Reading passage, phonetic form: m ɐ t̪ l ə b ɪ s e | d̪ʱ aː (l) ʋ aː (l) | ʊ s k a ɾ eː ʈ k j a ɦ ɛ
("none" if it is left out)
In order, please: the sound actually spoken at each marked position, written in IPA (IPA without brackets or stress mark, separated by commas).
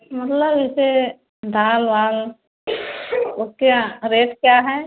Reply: l, l